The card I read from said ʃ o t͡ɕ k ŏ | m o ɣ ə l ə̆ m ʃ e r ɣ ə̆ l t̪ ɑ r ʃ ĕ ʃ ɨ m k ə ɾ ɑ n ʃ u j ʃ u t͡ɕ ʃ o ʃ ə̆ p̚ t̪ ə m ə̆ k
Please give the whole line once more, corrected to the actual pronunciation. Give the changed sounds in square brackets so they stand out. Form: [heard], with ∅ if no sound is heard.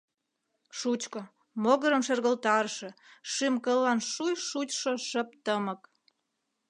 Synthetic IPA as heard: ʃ [u] t͡ɕ k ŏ | m o ɣ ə [ɾ] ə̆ m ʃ e r ɣ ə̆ l t̪ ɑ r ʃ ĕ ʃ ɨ m k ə [l] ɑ n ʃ u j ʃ u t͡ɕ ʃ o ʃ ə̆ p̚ t̪ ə m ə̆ k